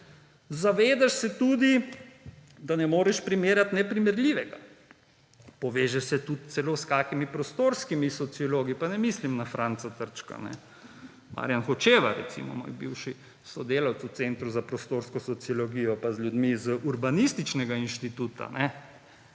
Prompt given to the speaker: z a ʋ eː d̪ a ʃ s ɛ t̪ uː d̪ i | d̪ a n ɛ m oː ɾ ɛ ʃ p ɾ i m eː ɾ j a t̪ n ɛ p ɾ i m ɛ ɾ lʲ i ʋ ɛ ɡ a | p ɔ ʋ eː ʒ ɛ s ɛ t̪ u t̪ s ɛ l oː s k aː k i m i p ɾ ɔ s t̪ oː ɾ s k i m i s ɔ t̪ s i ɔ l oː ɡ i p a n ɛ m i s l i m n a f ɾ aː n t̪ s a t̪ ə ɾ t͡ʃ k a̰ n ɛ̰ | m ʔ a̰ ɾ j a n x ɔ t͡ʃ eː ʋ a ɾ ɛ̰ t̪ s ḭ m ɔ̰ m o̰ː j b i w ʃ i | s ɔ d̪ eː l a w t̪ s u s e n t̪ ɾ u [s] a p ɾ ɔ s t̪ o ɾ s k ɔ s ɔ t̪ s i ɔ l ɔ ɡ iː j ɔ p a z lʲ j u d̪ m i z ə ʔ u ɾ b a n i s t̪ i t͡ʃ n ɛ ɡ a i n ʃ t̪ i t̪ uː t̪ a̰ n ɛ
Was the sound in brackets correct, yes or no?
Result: no